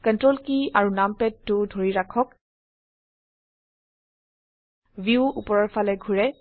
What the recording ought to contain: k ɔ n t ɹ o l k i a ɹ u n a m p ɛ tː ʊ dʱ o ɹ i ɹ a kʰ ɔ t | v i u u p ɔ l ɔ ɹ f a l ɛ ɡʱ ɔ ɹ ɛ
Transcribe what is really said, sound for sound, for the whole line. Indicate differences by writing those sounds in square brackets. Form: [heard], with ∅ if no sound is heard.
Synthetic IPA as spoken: k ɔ n t ɹ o l k i a ɹ u n a m p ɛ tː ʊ dʱ o ɹ i ɹ a kʰ ɔ [k] | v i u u p ɔ [ɹ] ɔ ɹ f a l ɛ ɡʱ [u] ɹ ɛ